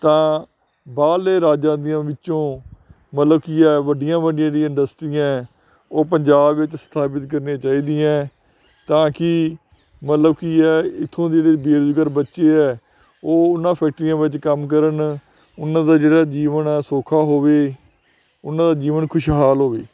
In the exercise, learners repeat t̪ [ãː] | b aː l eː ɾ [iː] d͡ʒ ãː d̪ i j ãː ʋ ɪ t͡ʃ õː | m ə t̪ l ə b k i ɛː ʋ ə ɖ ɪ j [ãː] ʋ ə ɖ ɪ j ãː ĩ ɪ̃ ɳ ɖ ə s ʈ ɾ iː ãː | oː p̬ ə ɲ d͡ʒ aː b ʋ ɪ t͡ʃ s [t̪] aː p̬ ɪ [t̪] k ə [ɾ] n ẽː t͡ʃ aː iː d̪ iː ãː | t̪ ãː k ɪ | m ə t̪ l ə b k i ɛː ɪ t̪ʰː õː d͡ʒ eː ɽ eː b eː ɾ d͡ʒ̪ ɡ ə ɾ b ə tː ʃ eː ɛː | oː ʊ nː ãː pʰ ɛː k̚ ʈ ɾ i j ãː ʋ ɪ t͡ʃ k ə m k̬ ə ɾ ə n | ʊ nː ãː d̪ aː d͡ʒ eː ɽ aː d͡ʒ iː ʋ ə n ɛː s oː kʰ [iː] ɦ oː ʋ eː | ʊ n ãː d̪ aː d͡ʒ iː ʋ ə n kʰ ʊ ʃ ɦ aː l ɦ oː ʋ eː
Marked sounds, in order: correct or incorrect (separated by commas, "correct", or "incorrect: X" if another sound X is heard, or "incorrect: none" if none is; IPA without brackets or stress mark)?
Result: correct, incorrect: aː, correct, incorrect: t̪ʰ, correct, correct, incorrect: aː